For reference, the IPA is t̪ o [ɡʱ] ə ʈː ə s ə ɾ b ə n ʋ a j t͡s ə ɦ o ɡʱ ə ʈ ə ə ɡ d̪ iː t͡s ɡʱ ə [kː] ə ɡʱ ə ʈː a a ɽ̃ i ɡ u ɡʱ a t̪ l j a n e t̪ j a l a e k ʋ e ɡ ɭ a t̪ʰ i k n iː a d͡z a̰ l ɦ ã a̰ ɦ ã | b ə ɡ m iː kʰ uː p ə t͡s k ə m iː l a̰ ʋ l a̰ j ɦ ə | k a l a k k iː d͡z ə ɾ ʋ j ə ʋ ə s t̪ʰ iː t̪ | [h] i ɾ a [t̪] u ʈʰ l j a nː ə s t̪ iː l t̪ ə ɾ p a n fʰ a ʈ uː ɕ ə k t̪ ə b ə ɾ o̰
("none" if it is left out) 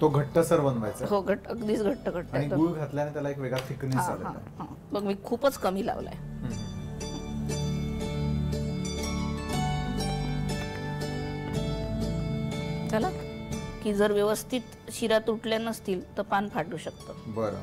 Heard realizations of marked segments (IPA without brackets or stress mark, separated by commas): ɡʱ, ʈː, ɕ, t̪